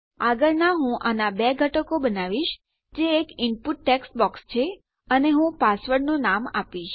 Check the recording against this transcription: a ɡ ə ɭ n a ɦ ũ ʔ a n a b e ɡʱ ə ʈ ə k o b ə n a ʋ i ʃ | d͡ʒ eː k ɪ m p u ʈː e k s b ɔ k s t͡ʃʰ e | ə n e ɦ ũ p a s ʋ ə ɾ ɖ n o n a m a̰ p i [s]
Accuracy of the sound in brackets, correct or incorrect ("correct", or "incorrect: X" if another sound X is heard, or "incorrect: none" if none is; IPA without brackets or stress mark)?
incorrect: ʃ